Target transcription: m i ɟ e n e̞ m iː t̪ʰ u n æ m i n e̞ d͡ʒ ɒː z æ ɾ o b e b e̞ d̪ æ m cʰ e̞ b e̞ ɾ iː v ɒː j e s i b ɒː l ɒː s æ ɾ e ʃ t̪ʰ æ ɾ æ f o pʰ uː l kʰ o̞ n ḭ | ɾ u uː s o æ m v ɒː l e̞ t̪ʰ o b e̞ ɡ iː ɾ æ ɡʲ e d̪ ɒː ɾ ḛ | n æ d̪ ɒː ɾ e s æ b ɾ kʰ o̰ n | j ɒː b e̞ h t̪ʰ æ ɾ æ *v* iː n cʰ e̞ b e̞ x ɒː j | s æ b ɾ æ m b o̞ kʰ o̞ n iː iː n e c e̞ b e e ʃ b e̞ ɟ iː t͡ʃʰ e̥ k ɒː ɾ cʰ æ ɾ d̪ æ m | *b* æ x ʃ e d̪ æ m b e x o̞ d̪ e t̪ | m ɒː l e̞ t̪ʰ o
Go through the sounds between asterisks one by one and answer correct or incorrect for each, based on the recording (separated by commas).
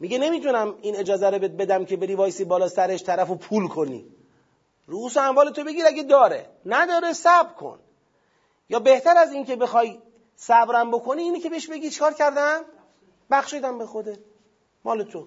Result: incorrect, correct